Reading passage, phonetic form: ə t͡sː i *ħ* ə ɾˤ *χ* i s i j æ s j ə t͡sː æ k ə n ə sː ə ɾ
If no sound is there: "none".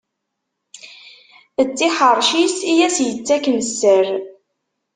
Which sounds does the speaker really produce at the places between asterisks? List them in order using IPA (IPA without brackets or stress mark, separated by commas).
ħ, ʃ